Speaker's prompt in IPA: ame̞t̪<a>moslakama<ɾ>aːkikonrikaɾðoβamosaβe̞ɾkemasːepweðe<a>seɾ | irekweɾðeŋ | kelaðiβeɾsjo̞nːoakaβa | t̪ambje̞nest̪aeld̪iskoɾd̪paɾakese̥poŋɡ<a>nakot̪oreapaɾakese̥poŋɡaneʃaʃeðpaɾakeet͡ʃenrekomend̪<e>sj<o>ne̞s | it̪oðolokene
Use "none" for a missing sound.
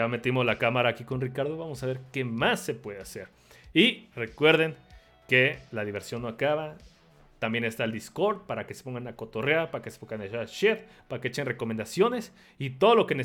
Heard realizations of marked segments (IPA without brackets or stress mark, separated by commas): i, ɾ, a, a, a, o